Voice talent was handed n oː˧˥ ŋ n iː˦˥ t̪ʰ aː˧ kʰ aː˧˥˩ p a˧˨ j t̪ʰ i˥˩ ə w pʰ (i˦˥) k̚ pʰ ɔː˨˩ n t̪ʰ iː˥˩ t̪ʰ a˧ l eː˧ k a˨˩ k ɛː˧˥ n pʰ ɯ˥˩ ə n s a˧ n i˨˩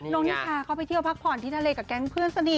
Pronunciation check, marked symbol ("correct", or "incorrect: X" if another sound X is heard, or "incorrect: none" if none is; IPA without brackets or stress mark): incorrect: a˦˥